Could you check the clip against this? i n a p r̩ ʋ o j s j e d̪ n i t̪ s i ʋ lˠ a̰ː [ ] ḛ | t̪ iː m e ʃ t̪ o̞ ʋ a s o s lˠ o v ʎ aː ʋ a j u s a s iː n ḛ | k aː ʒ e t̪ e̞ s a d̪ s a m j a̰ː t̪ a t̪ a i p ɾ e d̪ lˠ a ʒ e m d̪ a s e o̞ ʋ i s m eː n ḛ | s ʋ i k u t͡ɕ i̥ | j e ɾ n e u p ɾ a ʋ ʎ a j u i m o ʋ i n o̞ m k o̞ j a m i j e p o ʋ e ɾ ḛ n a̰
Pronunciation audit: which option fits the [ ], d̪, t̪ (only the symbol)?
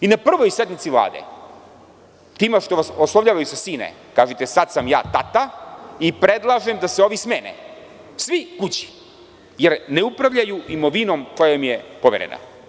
d̪